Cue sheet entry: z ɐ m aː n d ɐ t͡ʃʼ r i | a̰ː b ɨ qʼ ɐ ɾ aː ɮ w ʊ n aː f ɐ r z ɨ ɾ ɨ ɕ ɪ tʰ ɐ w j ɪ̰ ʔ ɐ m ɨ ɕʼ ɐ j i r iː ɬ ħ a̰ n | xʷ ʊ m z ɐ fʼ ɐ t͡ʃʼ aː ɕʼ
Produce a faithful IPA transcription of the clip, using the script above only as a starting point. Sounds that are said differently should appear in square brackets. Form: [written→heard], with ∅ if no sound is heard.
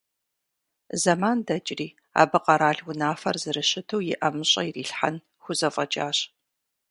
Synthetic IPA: z ɐ m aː n d ɐ t͡ʃʼ r [i→iː] | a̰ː b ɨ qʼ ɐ ɾ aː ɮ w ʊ n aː f ɐ r z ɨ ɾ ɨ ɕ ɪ tʰ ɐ w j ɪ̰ ʔ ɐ m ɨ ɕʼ ɐ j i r iː ɬ ħ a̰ n | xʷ ʊ [m→∅] z ɐ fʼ ɐ t͡ʃʼ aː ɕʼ